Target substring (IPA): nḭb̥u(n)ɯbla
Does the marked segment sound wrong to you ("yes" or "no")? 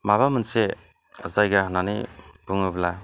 yes